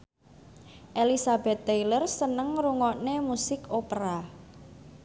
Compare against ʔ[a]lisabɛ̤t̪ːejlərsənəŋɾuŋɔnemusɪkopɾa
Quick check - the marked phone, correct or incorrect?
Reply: incorrect